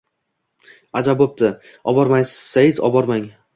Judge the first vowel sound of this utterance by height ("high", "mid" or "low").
low